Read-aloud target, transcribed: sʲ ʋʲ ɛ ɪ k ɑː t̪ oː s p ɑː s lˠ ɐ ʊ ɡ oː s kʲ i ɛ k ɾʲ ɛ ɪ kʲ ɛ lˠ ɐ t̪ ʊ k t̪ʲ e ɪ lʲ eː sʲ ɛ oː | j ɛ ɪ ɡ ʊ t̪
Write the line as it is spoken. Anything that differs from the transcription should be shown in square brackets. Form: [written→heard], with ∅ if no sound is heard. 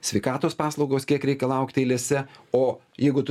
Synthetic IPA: sʲ ʋʲ ɛ ɪ k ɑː t̪ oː s p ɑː s lˠ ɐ ʊ ɡ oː s kʲ i ɛ k ɾʲ ɛ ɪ kʲ ɛ lˠ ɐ [t̪→∅] ʊ k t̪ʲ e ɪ lʲ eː sʲ ɛ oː | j ɛ ɪ ɡ ʊ t̪